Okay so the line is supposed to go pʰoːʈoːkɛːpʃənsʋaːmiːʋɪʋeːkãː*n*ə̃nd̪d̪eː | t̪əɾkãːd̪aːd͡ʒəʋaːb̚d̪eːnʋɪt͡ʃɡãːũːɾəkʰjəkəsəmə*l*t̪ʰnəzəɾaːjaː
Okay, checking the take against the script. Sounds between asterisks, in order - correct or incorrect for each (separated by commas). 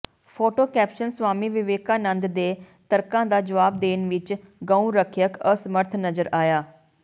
correct, incorrect